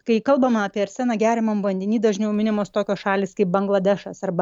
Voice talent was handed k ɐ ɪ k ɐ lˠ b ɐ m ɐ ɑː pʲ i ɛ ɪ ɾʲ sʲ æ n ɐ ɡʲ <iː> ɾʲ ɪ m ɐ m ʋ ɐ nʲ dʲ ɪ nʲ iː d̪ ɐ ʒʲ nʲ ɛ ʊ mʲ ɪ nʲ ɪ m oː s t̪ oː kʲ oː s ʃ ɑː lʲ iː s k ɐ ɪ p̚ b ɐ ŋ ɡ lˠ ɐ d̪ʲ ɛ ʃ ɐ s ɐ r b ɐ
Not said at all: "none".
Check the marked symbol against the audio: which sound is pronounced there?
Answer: æː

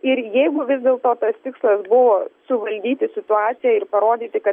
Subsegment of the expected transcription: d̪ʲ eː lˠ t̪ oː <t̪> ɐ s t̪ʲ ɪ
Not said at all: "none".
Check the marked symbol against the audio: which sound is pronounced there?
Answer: t̪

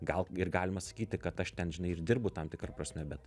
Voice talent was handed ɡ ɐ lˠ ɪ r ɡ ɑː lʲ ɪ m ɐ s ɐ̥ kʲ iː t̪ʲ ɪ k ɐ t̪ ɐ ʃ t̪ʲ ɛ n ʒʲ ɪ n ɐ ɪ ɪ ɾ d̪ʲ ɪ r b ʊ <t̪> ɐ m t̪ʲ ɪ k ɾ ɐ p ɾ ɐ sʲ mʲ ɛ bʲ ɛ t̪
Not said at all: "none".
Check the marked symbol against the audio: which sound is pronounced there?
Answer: t̪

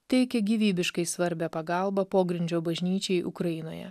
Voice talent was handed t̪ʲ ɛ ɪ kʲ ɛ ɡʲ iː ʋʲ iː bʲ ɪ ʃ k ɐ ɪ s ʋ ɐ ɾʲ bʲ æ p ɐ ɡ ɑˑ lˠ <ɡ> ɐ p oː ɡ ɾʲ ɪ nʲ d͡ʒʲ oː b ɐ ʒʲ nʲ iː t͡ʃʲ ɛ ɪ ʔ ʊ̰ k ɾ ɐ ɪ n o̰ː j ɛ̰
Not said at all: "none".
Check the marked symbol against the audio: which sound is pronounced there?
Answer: b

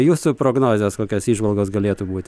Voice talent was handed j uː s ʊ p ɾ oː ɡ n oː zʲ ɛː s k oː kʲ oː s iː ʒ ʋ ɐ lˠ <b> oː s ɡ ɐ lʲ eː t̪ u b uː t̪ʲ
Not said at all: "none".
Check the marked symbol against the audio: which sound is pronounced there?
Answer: ɡ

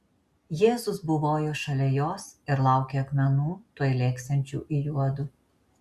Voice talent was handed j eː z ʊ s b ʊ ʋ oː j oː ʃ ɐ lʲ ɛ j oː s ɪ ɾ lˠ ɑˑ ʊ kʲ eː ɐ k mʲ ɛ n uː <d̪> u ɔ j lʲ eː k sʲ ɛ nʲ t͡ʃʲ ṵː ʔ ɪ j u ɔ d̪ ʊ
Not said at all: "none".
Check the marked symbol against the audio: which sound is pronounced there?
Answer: t̪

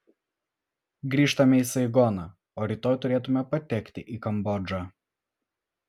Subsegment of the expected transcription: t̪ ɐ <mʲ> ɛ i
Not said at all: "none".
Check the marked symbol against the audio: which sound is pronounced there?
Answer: mʲ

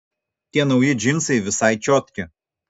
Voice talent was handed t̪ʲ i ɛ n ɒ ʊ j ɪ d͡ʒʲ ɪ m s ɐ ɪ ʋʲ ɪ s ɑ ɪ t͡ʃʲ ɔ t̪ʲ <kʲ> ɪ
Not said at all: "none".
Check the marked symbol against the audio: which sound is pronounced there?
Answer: kʲ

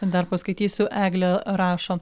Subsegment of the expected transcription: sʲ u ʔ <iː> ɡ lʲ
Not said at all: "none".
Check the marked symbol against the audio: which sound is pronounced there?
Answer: æː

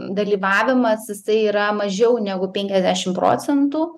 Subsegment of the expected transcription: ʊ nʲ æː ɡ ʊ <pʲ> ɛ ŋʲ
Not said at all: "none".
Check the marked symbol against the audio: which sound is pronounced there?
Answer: pʲ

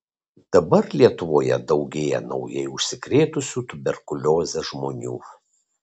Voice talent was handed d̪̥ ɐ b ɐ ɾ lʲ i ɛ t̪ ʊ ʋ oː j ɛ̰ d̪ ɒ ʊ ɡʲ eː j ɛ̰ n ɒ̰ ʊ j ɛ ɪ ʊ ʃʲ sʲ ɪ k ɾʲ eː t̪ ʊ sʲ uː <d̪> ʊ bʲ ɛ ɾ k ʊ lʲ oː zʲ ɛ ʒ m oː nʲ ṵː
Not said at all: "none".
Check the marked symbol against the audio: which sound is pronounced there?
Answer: t̪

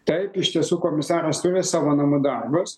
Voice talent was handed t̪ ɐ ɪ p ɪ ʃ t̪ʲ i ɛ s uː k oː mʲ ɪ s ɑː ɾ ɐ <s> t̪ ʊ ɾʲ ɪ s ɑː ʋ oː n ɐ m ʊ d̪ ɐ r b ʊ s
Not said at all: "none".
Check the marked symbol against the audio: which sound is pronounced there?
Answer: s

